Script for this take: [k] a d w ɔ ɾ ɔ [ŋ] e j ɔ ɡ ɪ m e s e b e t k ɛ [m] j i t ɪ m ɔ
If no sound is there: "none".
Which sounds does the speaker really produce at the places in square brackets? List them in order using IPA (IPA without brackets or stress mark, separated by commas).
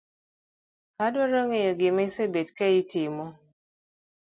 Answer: k, ŋ, none